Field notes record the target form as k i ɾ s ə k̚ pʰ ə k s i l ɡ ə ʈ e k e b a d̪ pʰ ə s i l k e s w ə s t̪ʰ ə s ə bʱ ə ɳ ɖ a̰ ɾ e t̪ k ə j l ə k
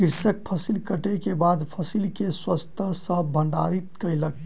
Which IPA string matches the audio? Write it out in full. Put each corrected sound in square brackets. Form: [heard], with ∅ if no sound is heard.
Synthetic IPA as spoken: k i ɾ s ə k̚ pʰ ə [∅] s i l [k] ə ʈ e k e b a d̪ pʰ ə s i l k e s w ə s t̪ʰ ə s ə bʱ ə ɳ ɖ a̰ ɾ [i] t̪ k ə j l ə k